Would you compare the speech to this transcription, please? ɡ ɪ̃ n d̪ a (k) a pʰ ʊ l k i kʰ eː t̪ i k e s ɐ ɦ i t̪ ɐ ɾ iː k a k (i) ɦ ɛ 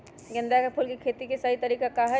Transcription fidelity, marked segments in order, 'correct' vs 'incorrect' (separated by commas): correct, incorrect